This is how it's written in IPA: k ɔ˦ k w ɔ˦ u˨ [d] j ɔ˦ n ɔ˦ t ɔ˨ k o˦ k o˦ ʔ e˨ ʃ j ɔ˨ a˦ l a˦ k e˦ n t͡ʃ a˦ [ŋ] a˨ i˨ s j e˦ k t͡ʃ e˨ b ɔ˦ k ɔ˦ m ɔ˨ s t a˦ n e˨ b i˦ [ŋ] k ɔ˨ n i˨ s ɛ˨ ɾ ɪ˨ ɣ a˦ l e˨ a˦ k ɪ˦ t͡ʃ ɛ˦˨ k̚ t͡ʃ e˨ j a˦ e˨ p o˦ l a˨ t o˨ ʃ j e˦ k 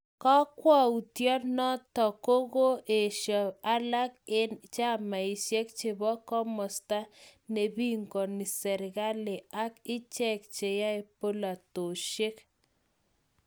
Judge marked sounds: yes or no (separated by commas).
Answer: no, no, yes